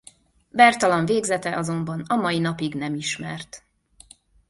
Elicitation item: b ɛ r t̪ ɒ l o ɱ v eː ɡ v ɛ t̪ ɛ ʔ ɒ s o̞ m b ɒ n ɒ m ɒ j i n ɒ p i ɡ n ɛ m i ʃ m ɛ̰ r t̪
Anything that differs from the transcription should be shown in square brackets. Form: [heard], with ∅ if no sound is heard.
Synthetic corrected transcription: b ɛ r t̪ ɒ l [ɒ] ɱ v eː ɡ [z] ɛ t̪ ɛ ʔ ɒ [z] o̞ m b ɒ n ɒ m ɒ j i n ɒ p i ɡ n ɛ m i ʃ m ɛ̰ r t̪